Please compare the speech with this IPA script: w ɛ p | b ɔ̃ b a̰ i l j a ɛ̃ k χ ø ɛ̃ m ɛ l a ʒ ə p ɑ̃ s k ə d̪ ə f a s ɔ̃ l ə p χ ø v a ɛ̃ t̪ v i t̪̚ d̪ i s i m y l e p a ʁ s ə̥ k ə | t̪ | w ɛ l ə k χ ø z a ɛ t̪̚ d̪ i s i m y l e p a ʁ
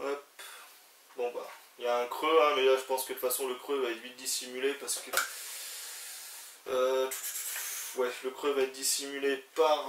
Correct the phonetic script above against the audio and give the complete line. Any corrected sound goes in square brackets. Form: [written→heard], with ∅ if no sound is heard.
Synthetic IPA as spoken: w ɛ p | b ɔ̃ b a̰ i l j a ɛ̃ k χ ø ɛ̃ m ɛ l a ʒ ə p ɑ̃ s k ə d̪ ə f a s ɔ̃ l ə [p→k] χ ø v a [ɛ̃→ɛ] t̪ v i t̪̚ d̪ i s i m y l e p a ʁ s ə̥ k ə | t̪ | w ɛ l ə k χ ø [z→v] a ɛ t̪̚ d̪ i s i m y l e p a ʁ